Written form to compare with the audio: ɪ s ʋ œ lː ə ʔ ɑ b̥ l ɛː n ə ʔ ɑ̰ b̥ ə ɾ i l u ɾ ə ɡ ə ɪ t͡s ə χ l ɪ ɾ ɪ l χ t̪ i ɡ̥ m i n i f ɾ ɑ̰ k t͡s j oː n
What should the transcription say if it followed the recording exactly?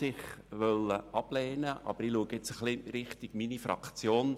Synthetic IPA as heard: ɪ χ ʋ œ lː ə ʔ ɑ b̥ l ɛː n ə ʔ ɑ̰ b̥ ə ɾ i l u ə ɡ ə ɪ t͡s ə χ l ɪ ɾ ɪ χ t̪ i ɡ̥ m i n i f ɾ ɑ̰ k t͡s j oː n